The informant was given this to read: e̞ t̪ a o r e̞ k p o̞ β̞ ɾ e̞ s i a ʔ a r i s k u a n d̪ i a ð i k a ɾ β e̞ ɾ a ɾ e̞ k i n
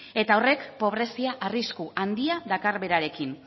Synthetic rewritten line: e̞ t̪ a o r e̞ k p o̞ β̞ ɾ e̞ s i a ʔ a r i s k u a n d̪ i a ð a k a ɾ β e̞ ɾ a ɾ e̞ k i n